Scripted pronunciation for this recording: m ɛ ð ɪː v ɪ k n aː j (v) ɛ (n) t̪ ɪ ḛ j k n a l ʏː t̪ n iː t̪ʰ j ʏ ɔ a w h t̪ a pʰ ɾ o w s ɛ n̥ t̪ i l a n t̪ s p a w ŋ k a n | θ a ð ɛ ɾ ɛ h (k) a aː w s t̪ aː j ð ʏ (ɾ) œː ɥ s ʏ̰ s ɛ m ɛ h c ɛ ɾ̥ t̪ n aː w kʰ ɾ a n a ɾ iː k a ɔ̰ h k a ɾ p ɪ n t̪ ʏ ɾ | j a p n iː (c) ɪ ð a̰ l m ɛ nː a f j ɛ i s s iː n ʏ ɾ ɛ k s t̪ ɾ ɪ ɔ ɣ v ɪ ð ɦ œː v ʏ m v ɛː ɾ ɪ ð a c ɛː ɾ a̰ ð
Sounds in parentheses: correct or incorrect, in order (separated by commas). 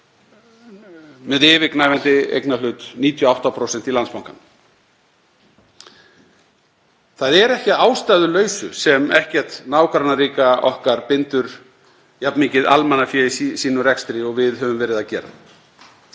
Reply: correct, correct, incorrect, incorrect, correct